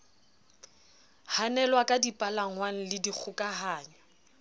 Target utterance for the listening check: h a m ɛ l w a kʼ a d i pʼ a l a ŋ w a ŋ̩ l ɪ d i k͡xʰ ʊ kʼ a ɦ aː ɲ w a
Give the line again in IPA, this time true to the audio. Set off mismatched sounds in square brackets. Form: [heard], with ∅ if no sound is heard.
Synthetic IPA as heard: h a [n] ɛ l w a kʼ a d i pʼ a l a ŋ w a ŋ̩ l ɪ d i k͡xʰ ʊ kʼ a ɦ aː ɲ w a